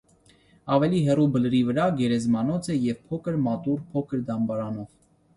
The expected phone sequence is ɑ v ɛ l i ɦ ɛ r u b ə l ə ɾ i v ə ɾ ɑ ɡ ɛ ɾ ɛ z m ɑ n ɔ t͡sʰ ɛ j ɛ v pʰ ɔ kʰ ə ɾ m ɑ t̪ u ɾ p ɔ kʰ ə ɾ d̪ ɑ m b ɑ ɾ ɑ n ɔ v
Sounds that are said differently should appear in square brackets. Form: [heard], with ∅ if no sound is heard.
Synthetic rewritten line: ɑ v ɛ l i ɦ ɛ r u b ə l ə ɾ i v ə ɾ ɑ ɡ ɛ ɾ ɛ z m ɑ n ɔ t͡sʰ ɛ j ɛ v pʰ ɔ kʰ ə ɾ m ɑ t̪ u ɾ [pʰ] ɔ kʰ ə ɾ d̪ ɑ m b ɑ ɾ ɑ n ɔ v